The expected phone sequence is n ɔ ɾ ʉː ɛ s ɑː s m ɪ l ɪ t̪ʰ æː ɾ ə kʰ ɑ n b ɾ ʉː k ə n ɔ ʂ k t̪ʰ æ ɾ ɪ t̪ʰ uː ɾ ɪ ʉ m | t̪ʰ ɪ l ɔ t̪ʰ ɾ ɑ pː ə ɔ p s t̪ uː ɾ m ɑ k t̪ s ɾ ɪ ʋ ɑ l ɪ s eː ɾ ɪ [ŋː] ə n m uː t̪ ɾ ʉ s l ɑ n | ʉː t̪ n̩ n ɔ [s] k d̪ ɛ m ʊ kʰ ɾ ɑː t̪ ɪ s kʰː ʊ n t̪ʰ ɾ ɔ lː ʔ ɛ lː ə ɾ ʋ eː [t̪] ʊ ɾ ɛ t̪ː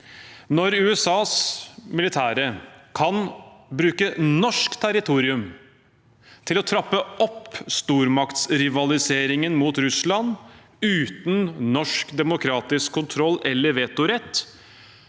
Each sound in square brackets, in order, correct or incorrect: incorrect, incorrect, correct

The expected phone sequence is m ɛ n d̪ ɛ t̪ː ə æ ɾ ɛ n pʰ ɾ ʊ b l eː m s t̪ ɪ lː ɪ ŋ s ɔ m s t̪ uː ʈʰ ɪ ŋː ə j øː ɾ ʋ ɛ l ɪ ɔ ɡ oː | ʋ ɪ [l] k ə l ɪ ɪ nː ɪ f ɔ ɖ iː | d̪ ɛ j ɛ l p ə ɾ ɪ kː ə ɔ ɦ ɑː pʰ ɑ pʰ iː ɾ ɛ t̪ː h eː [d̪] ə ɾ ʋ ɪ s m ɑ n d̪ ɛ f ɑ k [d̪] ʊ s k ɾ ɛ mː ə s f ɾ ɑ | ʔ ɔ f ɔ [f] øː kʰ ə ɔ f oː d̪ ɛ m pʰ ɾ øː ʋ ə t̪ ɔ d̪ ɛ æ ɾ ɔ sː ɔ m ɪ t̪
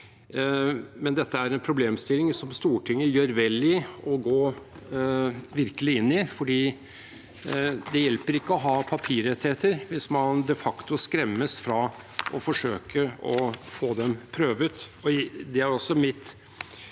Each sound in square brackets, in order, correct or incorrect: incorrect, incorrect, incorrect, incorrect

